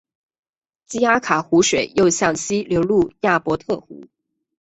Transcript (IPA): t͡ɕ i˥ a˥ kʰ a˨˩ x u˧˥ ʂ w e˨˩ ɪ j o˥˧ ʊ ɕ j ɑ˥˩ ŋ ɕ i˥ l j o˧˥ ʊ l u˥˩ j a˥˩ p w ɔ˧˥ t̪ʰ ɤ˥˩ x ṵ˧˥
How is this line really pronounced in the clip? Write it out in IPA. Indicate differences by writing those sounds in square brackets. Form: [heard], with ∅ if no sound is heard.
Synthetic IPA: t͡ɕ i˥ a˥ kʰ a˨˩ x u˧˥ ʂ w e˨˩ ɪ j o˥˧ ʊ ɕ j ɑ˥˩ ŋ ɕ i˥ l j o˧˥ ʊ l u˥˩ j a˥˩ p w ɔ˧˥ t̪ʰ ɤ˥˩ x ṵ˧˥